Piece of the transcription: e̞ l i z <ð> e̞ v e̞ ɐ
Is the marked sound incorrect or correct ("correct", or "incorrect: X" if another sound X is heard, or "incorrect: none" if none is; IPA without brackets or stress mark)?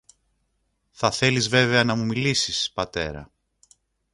incorrect: v